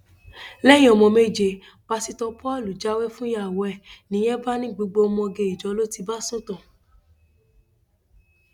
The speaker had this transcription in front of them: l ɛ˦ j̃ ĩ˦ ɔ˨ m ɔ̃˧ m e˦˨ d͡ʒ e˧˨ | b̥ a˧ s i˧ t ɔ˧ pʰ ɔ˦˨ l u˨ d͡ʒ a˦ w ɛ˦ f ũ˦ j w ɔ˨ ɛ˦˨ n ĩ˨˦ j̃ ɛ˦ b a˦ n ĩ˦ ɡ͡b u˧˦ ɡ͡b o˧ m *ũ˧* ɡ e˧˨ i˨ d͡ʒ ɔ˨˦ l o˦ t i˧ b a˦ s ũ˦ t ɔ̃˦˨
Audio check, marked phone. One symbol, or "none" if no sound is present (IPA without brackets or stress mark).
ɔ̃˧